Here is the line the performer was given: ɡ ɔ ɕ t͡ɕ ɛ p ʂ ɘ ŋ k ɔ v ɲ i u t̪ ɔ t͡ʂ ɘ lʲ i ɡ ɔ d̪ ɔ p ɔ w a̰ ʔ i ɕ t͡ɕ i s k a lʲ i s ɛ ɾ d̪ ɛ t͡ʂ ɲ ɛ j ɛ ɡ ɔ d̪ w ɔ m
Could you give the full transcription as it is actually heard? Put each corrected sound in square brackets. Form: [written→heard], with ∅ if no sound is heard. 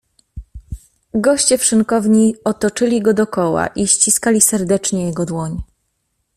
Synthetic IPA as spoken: ɡ ɔ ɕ t͡ɕ ɛ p ʂ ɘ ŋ k ɔ v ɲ i [u→ɔ] t̪ ɔ t͡ʂ ɘ lʲ i ɡ ɔ d̪ ɔ [p→k] ɔ w a̰ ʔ i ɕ t͡ɕ i s k a lʲ i s ɛ ɾ d̪ ɛ t͡ʂ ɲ ɛ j ɛ ɡ ɔ d̪ w ɔ [m→ɲ]